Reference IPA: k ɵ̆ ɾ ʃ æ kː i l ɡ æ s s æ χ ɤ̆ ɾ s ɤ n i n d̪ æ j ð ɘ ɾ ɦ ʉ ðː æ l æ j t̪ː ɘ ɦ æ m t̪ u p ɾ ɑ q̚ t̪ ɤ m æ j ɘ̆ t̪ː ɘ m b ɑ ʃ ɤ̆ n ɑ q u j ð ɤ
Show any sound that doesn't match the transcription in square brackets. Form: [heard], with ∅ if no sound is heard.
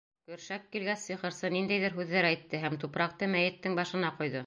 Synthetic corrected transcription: k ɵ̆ ɾ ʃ æ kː i l ɡ æ s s [i] χ ɤ̆ ɾ s ɤ n i n d̪ æ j ð ɘ ɾ ɦ ʉ ðː æ [ɾ] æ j t̪ː ɘ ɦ æ m t̪ u p ɾ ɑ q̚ t̪ ɤ m æ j ɘ̆ t̪ː ɘ [ŋ] b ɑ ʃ ɤ̆ n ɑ q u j ð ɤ